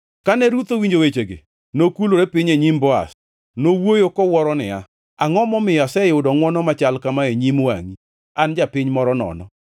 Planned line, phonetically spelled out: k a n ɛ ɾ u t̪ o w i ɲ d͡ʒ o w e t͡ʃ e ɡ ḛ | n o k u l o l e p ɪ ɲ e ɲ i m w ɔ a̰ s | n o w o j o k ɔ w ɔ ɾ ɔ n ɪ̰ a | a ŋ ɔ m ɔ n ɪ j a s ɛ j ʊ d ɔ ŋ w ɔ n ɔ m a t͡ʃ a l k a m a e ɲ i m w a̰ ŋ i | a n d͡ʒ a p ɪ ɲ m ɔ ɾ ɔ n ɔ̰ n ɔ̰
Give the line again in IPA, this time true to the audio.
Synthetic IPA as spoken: k a n ɛ ɾ u t̪ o w i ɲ d͡ʒ o w e t͡ʃ e ɡ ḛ | n o k u l o ɾ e p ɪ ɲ e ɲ i m b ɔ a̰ s | n o w o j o k ɔ w ɔ ɾ ɔ n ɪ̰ a | a ŋ ɔ m ɔ m ɪ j a s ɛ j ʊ d ɔ ŋ w ɔ n ɔ m a t͡ʃ a l k a m a e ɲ i m w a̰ ŋ i | a n d͡ʒ a p ɪ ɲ m ɔ ɾ ɔ n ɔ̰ n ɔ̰